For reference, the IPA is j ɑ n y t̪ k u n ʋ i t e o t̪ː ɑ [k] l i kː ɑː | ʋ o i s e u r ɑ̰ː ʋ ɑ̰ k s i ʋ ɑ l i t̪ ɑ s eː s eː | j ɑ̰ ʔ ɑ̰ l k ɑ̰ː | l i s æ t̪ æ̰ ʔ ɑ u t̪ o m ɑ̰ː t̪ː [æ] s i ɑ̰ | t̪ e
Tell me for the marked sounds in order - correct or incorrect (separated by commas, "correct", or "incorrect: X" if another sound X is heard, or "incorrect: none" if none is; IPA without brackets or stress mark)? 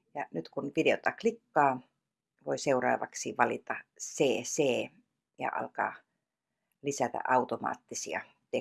correct, incorrect: i